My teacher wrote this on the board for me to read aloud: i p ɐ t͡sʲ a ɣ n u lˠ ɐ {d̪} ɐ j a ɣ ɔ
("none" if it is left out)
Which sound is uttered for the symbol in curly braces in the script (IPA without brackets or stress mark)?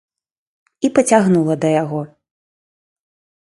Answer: d̪